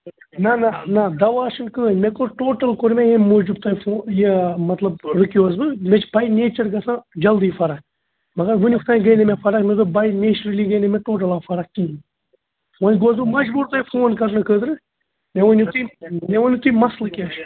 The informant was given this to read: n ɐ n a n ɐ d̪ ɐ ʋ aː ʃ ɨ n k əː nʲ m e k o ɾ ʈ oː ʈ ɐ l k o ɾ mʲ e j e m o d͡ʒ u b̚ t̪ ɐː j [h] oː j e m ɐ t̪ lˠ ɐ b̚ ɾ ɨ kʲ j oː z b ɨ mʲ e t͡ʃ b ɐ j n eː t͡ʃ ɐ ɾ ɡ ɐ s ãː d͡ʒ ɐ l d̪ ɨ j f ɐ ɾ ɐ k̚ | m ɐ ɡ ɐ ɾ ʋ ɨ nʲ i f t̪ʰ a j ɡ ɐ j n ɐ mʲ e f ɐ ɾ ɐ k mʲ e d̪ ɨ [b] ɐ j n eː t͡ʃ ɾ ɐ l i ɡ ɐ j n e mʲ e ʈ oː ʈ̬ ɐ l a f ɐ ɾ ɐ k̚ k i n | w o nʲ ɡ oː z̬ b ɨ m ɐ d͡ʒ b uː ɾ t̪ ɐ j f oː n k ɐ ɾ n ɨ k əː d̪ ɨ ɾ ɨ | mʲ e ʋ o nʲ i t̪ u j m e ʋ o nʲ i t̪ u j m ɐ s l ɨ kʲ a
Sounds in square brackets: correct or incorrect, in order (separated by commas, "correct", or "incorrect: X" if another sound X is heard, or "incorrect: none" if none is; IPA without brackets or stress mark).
incorrect: f, correct